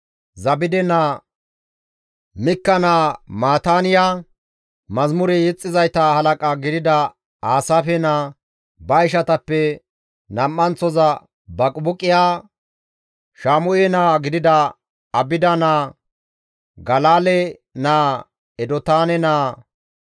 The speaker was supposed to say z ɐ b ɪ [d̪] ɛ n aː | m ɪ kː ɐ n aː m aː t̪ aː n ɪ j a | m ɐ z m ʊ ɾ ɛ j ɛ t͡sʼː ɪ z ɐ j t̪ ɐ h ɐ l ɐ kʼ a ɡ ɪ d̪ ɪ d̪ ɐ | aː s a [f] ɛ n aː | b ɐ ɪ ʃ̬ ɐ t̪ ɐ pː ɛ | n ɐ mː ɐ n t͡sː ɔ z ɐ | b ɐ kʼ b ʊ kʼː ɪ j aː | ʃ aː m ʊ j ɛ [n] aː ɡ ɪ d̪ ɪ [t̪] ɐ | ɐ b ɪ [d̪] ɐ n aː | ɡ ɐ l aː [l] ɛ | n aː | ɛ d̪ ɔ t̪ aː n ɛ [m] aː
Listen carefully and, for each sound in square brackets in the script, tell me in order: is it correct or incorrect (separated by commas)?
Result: correct, correct, correct, incorrect, correct, correct, incorrect